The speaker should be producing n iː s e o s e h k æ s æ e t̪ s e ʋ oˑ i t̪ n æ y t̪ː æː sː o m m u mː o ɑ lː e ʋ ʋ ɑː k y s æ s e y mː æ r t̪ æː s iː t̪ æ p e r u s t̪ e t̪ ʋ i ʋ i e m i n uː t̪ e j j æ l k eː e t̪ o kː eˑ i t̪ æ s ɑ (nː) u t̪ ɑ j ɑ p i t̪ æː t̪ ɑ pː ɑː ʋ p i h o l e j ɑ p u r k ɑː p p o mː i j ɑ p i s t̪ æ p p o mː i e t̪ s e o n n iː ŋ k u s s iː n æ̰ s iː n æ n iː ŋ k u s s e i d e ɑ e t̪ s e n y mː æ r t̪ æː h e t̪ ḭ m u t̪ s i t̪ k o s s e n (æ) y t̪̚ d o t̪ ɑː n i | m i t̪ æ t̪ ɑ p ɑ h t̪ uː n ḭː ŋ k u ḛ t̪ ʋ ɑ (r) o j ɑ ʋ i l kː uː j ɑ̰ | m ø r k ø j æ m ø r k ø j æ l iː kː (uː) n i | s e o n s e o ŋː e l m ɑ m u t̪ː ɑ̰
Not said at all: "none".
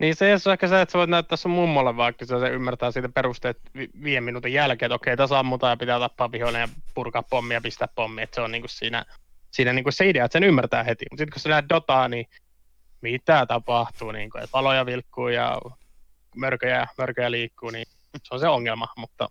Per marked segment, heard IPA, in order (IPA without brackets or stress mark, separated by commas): mː, æ, l, uː